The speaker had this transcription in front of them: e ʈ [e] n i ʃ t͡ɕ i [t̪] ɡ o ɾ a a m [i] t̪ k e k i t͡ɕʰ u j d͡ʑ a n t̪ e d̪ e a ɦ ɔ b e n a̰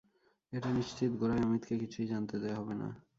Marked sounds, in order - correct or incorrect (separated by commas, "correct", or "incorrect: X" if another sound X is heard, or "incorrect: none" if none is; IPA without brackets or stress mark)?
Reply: incorrect: a, correct, correct